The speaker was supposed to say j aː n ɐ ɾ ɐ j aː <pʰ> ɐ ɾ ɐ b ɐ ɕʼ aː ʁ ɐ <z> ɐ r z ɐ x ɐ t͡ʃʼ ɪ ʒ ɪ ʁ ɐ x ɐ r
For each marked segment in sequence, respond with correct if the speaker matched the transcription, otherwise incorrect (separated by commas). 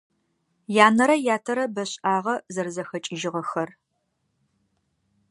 incorrect, correct